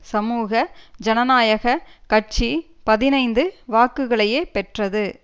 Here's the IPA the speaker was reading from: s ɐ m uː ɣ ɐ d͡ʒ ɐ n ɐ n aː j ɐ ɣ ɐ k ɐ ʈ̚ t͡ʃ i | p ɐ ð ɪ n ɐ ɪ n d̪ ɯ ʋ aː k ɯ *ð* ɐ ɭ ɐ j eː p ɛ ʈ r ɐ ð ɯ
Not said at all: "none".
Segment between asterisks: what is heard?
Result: ɣ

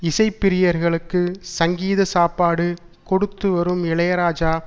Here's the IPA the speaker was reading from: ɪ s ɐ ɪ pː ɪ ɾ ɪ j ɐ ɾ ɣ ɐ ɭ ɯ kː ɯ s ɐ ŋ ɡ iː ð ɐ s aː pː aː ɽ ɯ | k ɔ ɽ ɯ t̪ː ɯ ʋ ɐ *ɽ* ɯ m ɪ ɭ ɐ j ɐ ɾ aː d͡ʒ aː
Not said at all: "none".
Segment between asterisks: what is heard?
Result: ɾ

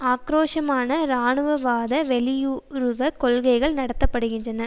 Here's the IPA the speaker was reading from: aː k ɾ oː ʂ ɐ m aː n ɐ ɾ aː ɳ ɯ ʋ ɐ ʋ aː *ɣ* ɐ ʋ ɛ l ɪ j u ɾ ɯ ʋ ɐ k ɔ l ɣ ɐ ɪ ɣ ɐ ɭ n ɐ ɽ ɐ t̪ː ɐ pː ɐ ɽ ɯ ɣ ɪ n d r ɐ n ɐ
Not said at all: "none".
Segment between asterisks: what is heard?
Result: ð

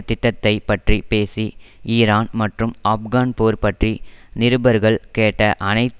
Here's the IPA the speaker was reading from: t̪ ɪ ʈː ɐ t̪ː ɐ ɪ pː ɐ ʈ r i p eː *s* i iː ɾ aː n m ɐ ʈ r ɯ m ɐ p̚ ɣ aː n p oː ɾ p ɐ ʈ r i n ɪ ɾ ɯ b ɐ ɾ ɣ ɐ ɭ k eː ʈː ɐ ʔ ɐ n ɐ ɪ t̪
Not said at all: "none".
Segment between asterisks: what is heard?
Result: s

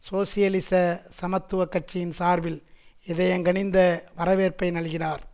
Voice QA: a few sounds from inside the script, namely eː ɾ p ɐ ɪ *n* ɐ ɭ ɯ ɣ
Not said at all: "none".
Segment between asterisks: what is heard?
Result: n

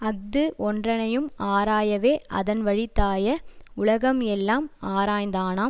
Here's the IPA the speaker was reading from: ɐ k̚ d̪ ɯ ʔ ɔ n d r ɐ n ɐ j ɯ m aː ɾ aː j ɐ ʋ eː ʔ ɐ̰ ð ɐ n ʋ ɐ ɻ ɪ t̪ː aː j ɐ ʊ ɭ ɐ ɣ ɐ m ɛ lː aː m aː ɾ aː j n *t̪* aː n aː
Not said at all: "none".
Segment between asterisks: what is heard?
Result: d̪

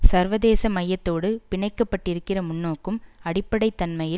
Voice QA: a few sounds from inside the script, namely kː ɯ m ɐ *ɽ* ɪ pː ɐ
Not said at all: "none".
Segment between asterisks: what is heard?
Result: ɽ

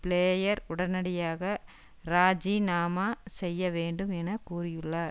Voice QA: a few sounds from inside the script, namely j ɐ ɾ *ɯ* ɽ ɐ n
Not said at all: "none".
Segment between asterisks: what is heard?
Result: ʊ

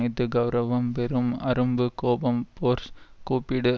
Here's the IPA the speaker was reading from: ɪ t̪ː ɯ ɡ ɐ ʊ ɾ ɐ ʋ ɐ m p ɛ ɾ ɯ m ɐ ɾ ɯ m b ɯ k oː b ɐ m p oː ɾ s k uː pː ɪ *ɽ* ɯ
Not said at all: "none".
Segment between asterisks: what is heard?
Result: ɽ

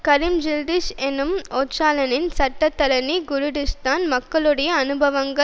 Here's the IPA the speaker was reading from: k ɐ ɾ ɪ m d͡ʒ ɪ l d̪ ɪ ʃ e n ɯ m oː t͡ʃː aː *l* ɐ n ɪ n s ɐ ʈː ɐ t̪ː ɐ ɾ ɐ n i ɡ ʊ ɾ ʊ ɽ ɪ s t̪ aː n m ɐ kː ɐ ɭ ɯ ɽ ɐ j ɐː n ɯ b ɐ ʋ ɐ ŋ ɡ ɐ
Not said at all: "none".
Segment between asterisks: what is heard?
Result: l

